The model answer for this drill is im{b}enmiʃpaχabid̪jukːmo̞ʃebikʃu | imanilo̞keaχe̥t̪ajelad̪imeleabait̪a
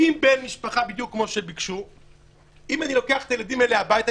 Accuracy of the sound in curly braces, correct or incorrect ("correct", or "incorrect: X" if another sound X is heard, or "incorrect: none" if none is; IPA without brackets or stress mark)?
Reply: correct